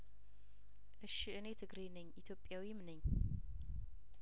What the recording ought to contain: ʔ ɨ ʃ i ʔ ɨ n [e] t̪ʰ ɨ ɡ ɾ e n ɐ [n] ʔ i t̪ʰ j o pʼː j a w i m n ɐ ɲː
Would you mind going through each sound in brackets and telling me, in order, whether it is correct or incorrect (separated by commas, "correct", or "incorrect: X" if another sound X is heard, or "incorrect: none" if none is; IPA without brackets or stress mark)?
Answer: correct, incorrect: ɲ